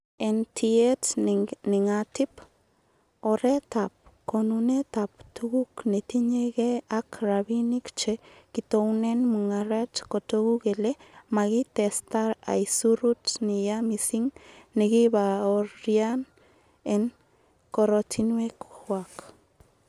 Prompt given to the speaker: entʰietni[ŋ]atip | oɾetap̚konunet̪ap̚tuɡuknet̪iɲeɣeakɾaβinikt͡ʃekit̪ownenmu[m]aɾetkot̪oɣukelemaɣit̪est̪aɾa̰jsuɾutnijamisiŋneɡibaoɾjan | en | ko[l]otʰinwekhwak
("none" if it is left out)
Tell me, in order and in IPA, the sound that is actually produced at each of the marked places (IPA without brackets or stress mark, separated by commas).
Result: ŋ, ŋ, ɾ